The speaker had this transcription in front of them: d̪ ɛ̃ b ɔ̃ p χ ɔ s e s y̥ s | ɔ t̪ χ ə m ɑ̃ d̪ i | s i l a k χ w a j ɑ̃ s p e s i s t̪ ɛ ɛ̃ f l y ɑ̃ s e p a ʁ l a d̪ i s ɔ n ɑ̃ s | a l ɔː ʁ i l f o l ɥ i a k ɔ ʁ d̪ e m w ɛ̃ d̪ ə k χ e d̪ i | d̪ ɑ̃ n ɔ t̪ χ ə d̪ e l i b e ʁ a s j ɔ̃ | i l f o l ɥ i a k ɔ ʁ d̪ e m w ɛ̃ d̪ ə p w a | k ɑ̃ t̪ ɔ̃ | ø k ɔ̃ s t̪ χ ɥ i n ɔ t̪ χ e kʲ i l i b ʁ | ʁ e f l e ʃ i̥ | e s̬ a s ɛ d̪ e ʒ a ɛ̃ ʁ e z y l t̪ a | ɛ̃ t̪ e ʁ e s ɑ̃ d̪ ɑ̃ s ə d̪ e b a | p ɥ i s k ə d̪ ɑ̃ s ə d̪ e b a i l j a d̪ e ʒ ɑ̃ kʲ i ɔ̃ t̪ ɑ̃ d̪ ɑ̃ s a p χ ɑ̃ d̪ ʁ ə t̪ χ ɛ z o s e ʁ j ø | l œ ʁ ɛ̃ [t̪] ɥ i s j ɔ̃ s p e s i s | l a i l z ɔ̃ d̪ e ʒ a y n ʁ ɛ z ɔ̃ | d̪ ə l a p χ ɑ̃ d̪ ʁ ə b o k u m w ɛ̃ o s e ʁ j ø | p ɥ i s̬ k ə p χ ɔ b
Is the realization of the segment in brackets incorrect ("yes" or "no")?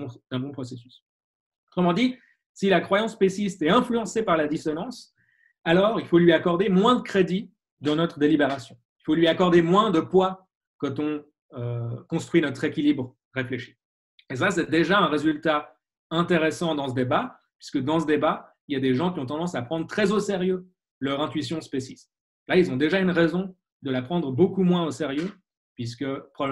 no